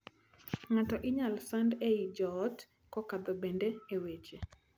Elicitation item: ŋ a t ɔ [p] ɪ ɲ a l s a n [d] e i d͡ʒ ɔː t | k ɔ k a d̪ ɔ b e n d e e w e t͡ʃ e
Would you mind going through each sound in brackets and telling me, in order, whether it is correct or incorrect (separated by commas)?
incorrect, correct